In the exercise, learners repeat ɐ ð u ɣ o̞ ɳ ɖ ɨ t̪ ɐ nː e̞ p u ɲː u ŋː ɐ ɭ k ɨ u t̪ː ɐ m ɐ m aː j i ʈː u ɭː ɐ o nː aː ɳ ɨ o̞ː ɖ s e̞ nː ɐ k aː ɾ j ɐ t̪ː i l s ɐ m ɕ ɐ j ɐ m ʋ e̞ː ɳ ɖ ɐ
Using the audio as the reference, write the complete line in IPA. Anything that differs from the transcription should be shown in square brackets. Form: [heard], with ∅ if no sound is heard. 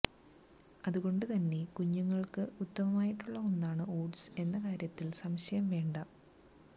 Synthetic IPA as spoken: ɐ ð u ɣ o̞ ɳ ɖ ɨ t̪ ɐ nː e̞ [k] u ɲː u ŋː ɐ ɭ k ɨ u t̪ː ɐ m ɐ m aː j i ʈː u ɭː ɐ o nː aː ɳ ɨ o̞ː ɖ s e̞ nː ɐ k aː ɾ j ɐ t̪ː i l s ɐ m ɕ ɐ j ɐ m ʋ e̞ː ɳ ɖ ɐ